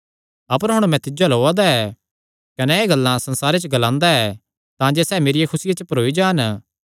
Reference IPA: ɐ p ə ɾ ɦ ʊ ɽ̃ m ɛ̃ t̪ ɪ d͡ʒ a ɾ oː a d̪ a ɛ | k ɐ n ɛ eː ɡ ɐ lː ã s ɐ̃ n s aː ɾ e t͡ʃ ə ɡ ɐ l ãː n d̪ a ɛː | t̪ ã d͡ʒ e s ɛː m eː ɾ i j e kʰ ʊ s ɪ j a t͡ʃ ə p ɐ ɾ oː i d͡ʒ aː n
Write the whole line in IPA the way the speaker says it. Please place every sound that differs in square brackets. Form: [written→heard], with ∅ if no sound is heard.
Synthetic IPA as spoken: ɐ p ə ɾ ɦ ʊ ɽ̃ m ɛ̃ t̪ ɪ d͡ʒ a [ɾ→l] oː a d̪ a ɛ | k ɐ n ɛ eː ɡ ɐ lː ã s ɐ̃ n s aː ɾ e t͡ʃ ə ɡ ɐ l ãː n d̪ a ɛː | t̪ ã d͡ʒ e s ɛː m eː ɾ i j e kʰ ʊ s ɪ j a t͡ʃ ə p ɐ ɾ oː i d͡ʒ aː n